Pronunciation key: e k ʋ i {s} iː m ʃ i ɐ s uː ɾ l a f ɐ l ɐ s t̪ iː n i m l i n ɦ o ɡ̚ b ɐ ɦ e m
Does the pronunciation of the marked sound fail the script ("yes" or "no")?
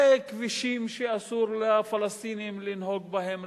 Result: yes